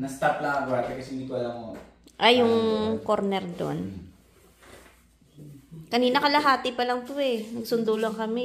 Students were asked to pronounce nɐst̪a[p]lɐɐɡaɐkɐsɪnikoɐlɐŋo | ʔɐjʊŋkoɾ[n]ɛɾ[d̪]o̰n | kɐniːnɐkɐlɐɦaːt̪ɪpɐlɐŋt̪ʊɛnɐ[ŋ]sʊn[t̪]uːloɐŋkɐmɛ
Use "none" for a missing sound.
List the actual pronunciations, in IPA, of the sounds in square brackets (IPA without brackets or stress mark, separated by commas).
p, n, d̪, ɡ, d̪